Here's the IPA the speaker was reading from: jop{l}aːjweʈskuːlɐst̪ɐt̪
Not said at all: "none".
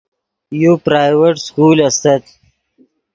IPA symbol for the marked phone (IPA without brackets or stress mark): ɾ